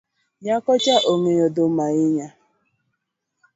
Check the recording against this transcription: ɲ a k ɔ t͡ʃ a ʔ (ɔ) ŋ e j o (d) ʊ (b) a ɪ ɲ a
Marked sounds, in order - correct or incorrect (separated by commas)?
incorrect, correct, incorrect